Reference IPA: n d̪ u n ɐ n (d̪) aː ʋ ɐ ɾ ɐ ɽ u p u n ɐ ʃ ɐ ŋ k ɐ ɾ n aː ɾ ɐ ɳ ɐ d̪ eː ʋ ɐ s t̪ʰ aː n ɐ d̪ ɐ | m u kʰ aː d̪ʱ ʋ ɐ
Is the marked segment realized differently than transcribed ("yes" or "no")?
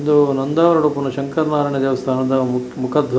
no